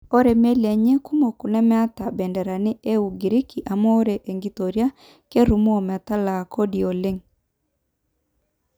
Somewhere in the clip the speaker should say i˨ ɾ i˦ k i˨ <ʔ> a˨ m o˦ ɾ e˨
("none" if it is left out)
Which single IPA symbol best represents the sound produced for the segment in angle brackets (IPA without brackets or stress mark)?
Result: ʔ